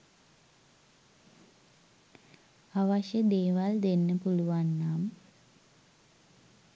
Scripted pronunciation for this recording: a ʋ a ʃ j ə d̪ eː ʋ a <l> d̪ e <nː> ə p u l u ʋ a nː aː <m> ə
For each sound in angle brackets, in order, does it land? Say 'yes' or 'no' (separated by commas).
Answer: yes, yes, yes